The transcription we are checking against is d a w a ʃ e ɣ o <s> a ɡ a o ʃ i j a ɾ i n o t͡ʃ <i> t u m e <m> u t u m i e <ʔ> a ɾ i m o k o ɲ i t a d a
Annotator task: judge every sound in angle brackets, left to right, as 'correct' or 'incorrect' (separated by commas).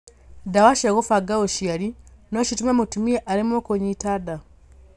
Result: incorrect, correct, correct, correct